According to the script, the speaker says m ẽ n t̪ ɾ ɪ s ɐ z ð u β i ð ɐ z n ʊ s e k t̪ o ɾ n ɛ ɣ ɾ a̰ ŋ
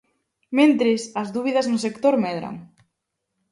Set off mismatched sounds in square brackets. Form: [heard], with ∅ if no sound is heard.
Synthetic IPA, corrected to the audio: m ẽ n t̪ ɾ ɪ s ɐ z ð u β i ð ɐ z n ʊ s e k t̪ o ɾ [m] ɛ [ð] ɾ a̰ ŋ